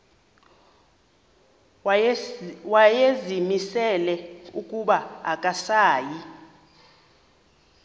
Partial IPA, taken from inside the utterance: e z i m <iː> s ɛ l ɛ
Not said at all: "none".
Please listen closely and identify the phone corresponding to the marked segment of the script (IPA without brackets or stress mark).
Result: i